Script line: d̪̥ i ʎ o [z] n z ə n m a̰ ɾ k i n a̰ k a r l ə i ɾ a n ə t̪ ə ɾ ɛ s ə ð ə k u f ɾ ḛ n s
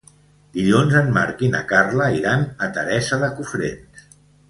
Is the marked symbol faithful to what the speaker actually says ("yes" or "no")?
no